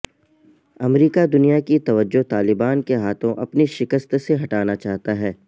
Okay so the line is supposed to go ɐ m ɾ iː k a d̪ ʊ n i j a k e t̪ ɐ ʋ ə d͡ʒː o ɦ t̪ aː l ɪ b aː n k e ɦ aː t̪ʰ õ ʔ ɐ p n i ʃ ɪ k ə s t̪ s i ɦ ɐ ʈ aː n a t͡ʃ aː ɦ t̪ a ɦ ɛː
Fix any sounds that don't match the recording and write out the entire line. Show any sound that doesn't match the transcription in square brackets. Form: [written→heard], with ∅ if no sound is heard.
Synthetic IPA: ɐ m ɾ iː k a d̪ ʊ n i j a k [e→i] t̪ ɐ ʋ ə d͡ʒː o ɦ t̪ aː l ɪ b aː n k e ɦ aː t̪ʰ õ ʔ ɐ p n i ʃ ɪ k ə s t̪ s [i→e] ɦ ɐ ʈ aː n a t͡ʃ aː ɦ t̪ a ɦ ɛː